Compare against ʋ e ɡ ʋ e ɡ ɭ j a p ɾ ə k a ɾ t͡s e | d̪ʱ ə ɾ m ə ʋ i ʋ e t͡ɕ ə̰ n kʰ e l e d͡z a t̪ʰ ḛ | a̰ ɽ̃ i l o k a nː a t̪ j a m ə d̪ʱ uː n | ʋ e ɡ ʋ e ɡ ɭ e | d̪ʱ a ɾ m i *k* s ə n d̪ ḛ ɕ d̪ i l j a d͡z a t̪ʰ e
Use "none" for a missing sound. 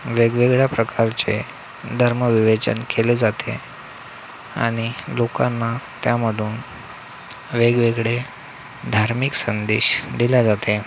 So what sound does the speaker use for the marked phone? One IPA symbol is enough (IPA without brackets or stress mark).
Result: k